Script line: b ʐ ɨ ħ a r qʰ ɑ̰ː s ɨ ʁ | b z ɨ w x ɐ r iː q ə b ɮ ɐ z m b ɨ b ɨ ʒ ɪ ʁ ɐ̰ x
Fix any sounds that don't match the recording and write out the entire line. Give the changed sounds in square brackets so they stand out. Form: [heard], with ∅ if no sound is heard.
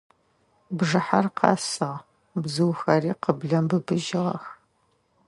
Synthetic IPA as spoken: b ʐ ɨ ħ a r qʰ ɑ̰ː s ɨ ʁ | b z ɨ w x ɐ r iː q ə b ɮ ɐ [∅] m b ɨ b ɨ ʒ ɪ ʁ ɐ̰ x